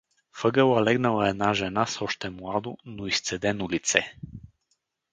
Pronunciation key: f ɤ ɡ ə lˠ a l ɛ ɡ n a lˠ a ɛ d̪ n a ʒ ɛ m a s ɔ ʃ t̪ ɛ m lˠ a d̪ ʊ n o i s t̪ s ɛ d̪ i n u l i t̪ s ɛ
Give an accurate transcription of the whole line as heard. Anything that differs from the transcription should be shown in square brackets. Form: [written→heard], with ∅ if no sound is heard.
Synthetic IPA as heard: f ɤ ɡ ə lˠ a l ɛ ɡ n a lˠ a ɛ d̪ n a ʒ ɛ [m→n] a s ɔ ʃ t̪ ɛ m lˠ a d̪ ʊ n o i s t̪ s ɛ d̪ [i→ɛ] n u l i t̪ s ɛ